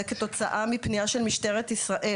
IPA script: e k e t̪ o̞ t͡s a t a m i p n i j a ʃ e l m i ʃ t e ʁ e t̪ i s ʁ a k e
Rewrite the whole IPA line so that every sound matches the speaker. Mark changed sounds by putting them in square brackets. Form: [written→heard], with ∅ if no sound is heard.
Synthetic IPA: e k e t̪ o̞ t͡s a [t→ʔ] a m i p n i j a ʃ e l m i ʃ t e ʁ e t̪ i s ʁ a [k→ʔ] e